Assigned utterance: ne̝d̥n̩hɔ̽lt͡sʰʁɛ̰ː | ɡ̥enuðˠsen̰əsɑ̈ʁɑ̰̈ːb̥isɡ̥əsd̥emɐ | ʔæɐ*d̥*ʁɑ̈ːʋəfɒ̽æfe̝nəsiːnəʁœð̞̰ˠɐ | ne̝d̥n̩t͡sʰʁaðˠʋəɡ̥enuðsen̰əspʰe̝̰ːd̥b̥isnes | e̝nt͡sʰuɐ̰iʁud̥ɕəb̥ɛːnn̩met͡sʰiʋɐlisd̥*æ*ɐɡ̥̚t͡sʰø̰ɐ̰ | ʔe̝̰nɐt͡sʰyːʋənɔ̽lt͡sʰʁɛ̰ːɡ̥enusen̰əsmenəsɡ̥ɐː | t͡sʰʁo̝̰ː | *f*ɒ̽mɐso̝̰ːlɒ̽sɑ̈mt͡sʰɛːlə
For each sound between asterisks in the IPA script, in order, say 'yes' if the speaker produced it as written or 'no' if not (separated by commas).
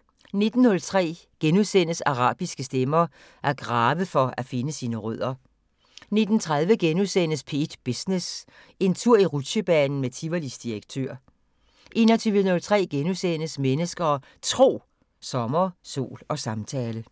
no, no, no